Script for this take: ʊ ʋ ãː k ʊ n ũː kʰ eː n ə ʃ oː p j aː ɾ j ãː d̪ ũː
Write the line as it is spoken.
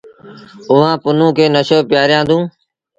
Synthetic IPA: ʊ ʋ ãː p ʊ n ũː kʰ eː n ə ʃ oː p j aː ɾ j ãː d̪ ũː